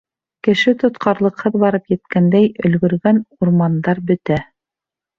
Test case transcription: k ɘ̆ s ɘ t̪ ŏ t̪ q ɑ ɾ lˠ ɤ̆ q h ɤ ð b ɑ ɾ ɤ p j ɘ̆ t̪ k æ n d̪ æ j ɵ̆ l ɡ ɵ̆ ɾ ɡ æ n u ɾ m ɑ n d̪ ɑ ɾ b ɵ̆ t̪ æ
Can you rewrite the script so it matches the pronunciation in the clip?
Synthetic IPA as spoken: k ɘ̆ ʃ ɘ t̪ ŏ t̪ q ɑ ɾ lˠ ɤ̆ q h ɤ ð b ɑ ɾ ɤ p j ɘ̆ t̪ k æ n d̪ æ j ɵ̆ l ɡ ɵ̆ ɾ ɡ æ n u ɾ m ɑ n d̪ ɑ ɾ b ɵ̆ t̪ æ